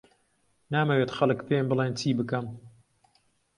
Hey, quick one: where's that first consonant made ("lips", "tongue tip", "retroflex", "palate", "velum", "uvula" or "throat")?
tongue tip